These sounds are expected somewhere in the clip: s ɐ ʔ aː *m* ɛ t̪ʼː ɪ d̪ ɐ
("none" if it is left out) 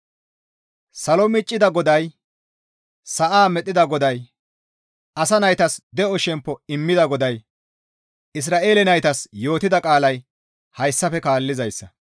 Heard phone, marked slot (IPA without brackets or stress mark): m